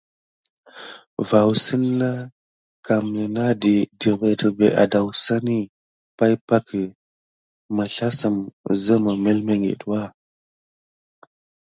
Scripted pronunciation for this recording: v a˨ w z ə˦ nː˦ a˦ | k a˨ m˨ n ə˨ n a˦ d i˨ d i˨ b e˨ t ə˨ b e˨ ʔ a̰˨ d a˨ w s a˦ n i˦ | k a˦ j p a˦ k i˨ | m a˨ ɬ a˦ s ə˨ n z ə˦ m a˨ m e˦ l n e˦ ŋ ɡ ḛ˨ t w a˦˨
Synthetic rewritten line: v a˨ w s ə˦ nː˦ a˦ | k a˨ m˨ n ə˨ n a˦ d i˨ d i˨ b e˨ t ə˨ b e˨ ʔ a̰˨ d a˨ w s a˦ n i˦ | p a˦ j p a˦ k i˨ | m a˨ ɬ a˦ s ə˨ m z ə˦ m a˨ m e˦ l m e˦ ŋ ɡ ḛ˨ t w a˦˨